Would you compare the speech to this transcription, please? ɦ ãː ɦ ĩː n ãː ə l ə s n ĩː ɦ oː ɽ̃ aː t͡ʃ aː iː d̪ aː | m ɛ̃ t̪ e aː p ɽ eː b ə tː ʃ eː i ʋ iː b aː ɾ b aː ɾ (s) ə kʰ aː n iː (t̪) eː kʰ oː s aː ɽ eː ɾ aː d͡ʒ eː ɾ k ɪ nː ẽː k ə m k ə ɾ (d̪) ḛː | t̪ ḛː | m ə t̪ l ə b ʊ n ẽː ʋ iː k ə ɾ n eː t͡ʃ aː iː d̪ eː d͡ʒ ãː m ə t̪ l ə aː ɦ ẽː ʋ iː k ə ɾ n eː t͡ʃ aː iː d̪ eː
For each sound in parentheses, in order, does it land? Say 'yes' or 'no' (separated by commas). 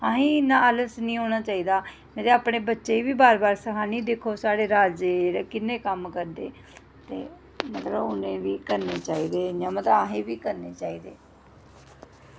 yes, no, yes